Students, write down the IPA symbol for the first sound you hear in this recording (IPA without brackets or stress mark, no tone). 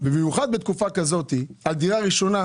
b